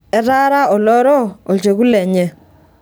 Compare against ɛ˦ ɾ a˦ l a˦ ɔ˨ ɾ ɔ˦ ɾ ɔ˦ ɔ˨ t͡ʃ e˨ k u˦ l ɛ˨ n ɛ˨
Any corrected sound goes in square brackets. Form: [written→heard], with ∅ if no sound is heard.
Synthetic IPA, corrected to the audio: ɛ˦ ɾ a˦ [l→ɾ] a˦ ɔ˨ [ɾ→l] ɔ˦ ɾ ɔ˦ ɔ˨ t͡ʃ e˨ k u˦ l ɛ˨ [n→ɲ] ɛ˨